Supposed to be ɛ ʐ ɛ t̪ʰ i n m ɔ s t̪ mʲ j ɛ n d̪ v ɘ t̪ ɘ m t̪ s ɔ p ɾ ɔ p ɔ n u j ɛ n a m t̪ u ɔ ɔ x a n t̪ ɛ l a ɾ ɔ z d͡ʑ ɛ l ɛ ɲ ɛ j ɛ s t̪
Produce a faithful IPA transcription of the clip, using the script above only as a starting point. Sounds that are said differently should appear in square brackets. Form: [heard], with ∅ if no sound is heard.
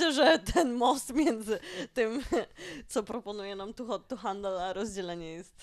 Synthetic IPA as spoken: ɛ ʐ ɛ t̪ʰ [ɛ] n m ɔ s t̪ mʲ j ɛ n d̪ [z] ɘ t̪ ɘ m t̪ s ɔ p ɾ ɔ p ɔ n u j ɛ n a m t̪ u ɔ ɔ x a n [d̪] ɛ l a ɾ ɔ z d͡ʑ ɛ l ɛ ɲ ɛ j ɛ s t̪